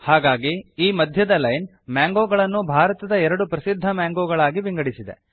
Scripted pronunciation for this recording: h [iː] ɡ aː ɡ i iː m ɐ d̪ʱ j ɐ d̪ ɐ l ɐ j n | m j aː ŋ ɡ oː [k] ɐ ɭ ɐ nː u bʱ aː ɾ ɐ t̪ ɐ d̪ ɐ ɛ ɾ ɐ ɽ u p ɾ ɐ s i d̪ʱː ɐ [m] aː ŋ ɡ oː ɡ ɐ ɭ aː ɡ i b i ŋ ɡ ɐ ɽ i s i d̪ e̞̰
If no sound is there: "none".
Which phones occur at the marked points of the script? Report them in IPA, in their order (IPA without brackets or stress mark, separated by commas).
aː, ɡ, m